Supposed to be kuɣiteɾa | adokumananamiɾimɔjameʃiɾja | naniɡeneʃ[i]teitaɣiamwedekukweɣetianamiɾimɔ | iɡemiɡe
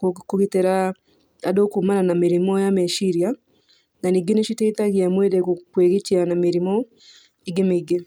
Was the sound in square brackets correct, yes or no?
yes